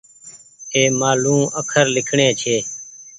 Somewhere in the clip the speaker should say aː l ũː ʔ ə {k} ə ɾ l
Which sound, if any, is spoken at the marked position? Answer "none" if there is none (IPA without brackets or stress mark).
kʰ